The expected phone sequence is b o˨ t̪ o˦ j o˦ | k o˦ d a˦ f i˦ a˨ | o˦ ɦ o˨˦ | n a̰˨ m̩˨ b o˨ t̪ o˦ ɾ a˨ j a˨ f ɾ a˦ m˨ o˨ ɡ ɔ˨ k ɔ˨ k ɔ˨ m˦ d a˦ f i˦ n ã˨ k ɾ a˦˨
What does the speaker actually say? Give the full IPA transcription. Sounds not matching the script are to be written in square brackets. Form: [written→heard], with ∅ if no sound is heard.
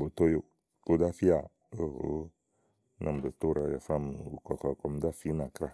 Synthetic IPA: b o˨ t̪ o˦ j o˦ | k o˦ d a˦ f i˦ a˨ | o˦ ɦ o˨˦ | n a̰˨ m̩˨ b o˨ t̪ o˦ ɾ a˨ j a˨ f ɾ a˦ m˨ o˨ [ɡ→k] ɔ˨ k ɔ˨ k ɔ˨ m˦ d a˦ f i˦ n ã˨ k ɾ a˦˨